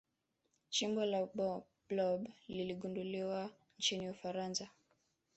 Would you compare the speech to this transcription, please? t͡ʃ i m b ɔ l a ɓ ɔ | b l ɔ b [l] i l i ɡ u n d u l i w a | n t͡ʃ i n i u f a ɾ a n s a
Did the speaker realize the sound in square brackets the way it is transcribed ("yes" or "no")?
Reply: yes